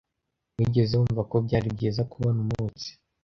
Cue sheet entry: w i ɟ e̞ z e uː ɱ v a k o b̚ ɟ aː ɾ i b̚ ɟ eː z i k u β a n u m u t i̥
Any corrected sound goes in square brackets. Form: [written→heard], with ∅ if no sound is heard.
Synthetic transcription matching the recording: w i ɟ e̞ z e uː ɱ v a k o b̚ ɟ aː ɾ i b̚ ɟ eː z [i→a] k u β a n u m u [t→t͡s] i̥